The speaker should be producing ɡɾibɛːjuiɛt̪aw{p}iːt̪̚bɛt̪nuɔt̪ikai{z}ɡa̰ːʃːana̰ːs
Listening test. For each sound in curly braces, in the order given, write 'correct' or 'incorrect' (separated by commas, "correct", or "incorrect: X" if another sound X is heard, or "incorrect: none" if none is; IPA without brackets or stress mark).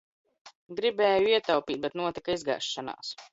correct, correct